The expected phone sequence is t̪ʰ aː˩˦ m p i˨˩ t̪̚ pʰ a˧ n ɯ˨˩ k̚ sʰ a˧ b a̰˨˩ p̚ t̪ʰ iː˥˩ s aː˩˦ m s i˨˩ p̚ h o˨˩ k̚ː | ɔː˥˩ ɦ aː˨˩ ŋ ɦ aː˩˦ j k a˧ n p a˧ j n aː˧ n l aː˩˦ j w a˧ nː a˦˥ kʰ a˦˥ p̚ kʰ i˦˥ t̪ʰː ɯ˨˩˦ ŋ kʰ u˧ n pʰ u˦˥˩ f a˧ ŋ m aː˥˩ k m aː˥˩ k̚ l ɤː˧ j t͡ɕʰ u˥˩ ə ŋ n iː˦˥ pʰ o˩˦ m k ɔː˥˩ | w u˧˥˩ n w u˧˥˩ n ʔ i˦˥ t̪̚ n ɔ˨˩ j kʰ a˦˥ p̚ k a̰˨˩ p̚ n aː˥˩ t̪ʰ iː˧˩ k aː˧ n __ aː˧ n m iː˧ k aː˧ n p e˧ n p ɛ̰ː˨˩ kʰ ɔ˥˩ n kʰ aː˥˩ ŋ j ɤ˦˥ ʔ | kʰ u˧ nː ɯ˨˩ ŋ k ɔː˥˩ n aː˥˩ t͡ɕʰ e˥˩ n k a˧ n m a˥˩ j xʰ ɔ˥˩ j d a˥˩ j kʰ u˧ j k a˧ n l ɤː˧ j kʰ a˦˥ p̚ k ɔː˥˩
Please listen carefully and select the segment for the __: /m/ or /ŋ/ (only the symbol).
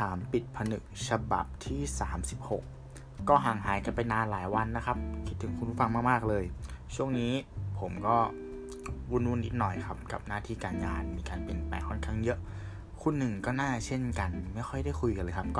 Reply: ŋ